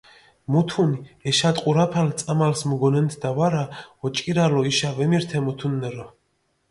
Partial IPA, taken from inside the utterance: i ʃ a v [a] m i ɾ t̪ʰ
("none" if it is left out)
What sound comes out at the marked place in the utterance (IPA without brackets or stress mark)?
ɛ